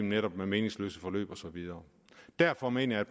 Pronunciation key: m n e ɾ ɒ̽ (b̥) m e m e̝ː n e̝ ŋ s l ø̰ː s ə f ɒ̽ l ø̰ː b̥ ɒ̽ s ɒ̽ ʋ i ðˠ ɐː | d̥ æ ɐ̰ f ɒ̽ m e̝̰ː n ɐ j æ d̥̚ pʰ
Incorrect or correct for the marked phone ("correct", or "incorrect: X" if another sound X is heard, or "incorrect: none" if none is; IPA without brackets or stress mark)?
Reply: correct